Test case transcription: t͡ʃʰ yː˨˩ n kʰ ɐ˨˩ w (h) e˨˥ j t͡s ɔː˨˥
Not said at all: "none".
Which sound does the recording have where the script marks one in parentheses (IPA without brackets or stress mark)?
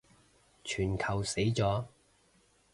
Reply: s